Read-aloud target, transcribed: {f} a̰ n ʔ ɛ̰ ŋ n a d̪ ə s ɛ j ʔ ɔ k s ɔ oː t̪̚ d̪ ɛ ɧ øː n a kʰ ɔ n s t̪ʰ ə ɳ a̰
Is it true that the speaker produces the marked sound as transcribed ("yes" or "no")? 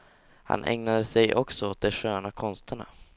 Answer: no